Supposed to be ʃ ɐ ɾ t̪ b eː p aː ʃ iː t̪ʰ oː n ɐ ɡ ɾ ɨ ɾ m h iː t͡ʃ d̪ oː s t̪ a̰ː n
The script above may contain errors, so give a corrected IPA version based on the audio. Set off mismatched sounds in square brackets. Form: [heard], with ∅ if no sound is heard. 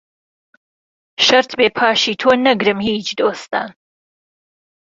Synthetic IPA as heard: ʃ ɐ ɾ t̪ b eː [pʰ] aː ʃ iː t̪ʰ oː n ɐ ɡ ɾ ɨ [∅] m h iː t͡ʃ d̪ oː s t̪ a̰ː n